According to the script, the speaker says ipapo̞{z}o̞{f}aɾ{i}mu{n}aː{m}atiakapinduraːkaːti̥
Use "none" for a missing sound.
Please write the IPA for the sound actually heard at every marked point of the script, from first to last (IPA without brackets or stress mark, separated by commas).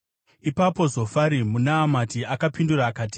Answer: z, f, i, n, m